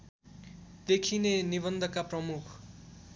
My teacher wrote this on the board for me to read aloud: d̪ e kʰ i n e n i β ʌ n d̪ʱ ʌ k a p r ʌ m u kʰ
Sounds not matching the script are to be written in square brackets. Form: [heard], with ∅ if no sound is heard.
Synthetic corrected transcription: d̪ e kʰ i n e n i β ʌ n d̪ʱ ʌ k a p r ʌ m u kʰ